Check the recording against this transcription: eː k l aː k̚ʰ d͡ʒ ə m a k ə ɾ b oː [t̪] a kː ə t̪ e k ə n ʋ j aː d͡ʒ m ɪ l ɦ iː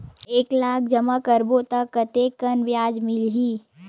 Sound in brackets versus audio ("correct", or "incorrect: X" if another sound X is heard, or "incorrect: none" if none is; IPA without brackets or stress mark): correct